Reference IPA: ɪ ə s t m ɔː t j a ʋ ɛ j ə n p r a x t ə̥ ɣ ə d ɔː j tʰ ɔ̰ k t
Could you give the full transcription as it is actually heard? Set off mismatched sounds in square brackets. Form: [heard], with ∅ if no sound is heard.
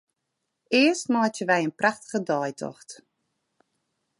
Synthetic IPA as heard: ɪ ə s t m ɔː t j [ə] ʋ ɛ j ə n p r a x t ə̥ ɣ ə d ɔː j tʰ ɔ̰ [x] t